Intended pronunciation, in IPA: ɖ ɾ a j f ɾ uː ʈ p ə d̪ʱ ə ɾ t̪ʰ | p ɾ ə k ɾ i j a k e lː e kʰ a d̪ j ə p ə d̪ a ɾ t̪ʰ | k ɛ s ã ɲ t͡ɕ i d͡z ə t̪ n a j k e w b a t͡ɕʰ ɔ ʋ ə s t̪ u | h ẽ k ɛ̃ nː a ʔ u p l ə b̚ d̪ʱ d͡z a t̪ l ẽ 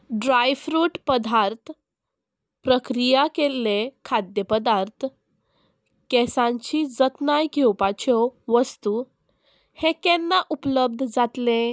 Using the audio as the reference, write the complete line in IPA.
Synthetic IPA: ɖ ɾ a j f ɾ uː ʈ p ə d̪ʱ a ɾ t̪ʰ | p ɾ ə k ɾ i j a k e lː e kʰ a d̪ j ə p ə d̪ a ɾ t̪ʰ | k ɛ s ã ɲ t͡ɕ i d͡z ə t̪ n a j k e w p a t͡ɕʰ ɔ ʋ ə s t̪ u | h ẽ k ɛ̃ nː a ʔ u p l ə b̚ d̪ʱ d͡z a t̪ l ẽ

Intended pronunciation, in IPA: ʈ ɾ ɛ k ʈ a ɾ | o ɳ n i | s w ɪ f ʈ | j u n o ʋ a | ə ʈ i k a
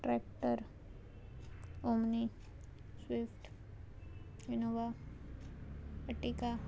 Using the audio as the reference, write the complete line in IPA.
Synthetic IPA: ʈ ɾ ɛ k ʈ ə ɾ | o m n i | s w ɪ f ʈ | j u n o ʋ a | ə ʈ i k a

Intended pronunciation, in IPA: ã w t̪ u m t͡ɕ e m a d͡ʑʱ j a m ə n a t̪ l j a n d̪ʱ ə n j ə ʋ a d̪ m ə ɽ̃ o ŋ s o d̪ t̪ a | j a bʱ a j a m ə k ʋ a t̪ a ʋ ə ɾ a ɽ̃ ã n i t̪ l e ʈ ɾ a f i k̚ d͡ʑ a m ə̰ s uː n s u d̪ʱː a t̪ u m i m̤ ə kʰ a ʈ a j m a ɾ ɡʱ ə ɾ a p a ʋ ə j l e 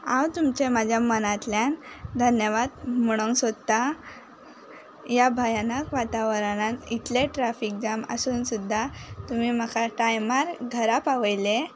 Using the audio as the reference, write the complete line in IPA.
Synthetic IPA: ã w t̪ u m t͡ɕ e m a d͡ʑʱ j a m ə n a t̪ l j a n d̪ʱ ə n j ə ʋ a d̪ m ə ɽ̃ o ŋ s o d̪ t̪ a | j a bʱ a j a n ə k ʋ a t̪ a ʋ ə ɾ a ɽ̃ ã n i t̪ l e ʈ ɾ a f i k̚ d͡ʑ a m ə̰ s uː n s u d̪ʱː a t̪ u m i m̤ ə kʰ a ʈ a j m a ɾ ɡʱ ə ɾ a p a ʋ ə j l e

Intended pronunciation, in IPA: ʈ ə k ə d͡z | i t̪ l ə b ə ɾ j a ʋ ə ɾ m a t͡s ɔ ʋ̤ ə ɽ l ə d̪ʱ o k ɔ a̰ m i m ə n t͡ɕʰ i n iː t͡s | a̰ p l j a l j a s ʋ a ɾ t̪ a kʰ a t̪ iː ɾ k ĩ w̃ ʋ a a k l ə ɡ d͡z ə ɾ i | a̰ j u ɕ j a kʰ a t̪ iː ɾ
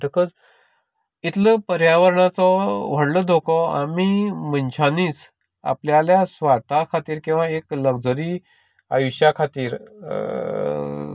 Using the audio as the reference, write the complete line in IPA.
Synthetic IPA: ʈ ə k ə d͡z | i t̪ l ə p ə ɾ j a ʋ ə ɾ ɳ a t͡s ɔ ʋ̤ ə ɽ l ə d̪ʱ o k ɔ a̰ m i m ə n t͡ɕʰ a n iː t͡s | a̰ p l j a l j a s ʋ a ɾ t̪ a kʰ a t̪ iː ɾ k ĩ w̃ ʋ a e k l ə ɡ d͡z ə ɾ i | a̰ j u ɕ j a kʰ a t̪ iː ɾ

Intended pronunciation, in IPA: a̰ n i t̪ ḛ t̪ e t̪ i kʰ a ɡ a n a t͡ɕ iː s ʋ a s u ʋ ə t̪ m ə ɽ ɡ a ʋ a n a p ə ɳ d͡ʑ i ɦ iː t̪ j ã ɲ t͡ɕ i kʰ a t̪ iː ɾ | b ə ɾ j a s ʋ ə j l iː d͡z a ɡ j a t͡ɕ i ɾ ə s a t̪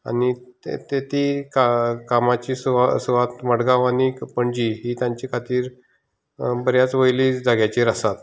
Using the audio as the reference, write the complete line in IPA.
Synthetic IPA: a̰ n i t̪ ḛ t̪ e t̪ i k a k a m a t͡ɕ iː s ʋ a s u ʋ a t̪ m ə ɽ ɡ a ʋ a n i p ə ɳ d͡ʑ i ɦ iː t̪ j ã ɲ t͡ɕ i kʰ a t̪ iː ɾ | b ə ɾ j a t͡s ʋ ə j l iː d͡z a ɡ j a t͡ɕ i ɾ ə s a t̪

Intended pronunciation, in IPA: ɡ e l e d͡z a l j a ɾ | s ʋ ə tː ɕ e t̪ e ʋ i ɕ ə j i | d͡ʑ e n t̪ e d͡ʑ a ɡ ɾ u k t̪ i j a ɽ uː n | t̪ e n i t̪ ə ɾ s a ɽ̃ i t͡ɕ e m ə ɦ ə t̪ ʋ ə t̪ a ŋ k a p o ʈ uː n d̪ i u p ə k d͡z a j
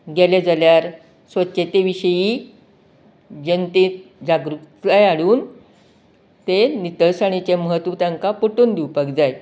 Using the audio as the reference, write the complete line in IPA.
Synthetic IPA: ɡ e l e d͡z a l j a ɾ | s ʋ ə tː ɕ e t̪ e ʋ i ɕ ə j i | d͡ʑ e n t̪ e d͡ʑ a ɡ ɾ u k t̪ a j a ɽ uː n | t̪ e n i t̪ ə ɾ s a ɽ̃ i t͡ɕ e m ə ɦ ə t̪ ʋ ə t̪ a ŋ k a p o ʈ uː n d̪ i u p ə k d͡z a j

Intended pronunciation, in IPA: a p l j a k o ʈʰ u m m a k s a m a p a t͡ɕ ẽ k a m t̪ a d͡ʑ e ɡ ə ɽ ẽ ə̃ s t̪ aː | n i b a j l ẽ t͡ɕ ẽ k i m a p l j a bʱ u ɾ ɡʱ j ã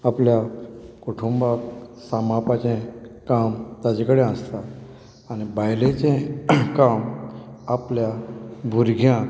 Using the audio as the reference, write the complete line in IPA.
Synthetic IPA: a p l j a k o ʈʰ u m b a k s a m a p a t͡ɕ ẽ k a m t̪ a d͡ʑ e k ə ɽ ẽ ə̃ s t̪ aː | n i b a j l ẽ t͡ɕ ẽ k a m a p l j a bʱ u ɾ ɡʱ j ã

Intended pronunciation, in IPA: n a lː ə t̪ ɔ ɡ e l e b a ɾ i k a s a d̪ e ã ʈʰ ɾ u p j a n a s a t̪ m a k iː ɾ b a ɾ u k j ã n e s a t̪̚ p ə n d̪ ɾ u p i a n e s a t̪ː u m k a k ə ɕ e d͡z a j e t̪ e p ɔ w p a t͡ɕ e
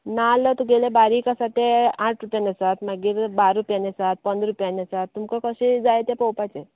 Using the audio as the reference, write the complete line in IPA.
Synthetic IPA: n a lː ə t̪ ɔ ɡ e l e b a ɾ i k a s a t̪ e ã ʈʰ ɾ u p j a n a s a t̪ m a ɡ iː ɾ b a ɾ u p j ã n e s a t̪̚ p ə n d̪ ɾ u p j a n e s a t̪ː u m k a k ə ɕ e d͡z a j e t̪ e p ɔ w p a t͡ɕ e

